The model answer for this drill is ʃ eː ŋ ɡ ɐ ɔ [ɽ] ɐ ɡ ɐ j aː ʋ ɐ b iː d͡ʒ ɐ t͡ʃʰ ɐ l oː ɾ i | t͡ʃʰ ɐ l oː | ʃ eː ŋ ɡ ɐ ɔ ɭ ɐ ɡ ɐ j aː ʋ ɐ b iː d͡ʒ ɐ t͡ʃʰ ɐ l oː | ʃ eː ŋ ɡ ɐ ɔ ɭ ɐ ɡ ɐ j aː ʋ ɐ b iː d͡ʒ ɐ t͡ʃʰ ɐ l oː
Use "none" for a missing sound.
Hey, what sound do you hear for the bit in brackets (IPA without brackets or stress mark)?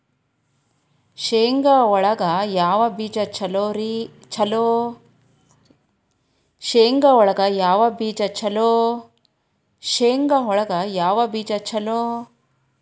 ɭ